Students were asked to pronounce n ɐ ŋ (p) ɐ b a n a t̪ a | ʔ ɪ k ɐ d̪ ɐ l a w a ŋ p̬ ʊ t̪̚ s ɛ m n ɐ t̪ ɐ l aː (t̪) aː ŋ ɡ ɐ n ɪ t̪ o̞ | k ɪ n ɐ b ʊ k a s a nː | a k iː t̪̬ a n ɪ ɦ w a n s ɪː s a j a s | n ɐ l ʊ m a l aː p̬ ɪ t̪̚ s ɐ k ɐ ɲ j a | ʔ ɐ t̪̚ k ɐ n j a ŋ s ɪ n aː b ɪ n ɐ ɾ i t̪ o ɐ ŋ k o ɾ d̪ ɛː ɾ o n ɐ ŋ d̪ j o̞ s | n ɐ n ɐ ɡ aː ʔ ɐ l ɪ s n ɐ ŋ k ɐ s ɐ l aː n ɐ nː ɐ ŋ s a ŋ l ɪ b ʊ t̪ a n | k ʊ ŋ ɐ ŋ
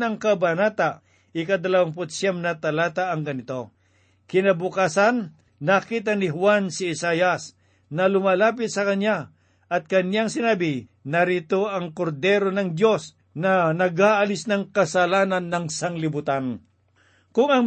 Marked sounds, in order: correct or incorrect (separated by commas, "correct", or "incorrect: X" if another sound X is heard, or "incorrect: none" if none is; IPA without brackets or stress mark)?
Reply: incorrect: k, correct